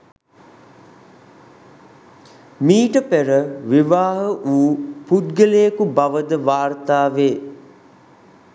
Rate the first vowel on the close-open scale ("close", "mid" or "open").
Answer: close